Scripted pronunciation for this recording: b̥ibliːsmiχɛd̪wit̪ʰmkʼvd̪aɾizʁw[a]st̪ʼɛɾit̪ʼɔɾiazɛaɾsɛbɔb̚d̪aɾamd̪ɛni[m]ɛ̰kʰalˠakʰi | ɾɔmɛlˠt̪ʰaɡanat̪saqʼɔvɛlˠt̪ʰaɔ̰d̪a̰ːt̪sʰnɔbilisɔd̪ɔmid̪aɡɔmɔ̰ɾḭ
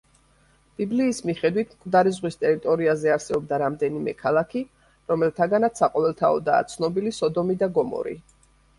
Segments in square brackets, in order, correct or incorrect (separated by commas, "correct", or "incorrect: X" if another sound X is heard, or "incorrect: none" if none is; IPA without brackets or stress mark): incorrect: i, correct